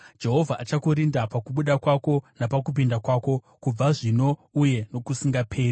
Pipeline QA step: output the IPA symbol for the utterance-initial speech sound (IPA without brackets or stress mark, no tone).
d͡ʒ